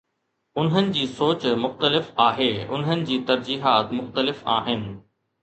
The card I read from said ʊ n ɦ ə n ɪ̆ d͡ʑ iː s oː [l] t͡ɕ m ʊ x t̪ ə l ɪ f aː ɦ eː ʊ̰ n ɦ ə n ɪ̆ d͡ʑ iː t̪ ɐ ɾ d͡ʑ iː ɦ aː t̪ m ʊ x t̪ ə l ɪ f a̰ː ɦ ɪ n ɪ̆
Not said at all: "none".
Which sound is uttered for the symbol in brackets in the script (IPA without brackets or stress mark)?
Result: none